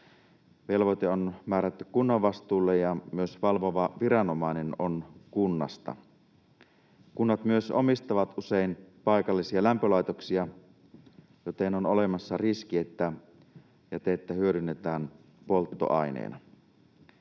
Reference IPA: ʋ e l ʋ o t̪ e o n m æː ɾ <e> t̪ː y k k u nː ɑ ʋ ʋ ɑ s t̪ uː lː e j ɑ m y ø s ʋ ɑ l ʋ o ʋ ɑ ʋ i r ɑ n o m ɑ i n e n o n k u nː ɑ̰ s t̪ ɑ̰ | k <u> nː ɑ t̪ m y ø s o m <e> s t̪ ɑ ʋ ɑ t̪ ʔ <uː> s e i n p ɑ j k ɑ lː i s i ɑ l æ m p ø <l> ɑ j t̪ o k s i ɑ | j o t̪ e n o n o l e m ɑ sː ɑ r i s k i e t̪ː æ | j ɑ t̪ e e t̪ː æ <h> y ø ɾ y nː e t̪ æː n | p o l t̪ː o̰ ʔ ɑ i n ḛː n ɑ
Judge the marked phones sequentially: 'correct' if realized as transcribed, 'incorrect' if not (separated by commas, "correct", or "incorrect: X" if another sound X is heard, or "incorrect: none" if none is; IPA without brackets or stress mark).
incorrect: æ, correct, incorrect: i, incorrect: u, correct, correct